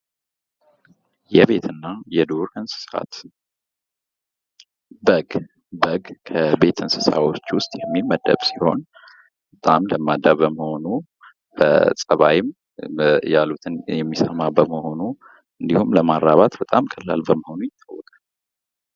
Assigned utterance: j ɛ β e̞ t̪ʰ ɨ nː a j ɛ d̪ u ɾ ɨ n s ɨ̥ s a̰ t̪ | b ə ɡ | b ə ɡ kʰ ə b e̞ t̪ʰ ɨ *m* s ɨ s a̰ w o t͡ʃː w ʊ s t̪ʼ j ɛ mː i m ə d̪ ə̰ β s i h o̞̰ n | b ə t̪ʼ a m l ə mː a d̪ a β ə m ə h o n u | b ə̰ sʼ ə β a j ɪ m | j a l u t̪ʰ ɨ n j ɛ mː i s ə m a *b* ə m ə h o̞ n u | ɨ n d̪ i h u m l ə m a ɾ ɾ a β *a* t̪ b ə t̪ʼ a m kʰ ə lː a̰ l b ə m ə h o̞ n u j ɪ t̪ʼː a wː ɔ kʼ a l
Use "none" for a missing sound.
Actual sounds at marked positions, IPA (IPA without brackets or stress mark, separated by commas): n, b, a